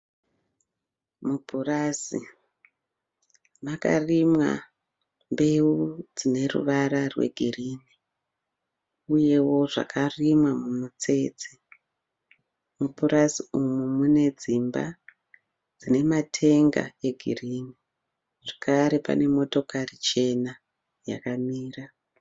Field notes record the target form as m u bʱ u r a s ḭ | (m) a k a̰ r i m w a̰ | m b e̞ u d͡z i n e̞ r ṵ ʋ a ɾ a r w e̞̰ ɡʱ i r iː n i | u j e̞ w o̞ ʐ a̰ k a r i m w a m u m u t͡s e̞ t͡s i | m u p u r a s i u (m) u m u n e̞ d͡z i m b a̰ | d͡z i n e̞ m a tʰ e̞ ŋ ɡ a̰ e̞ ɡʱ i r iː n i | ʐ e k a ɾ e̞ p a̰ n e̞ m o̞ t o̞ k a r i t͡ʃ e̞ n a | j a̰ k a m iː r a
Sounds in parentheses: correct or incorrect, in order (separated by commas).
correct, correct